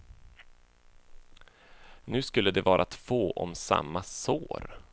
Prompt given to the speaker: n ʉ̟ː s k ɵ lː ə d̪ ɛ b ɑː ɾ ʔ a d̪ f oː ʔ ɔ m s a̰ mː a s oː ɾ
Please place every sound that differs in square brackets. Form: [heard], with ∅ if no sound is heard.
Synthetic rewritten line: n ʉ̟ː s k ɵ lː ə d̪ ɛ [v] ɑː ɾ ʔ a [t̪] f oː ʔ ɔ m s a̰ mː a s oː ɾ